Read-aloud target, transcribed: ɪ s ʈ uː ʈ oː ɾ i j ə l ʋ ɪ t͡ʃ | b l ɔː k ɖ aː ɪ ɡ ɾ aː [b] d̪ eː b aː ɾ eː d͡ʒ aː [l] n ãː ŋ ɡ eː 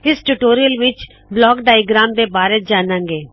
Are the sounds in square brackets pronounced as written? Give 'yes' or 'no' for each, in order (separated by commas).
no, no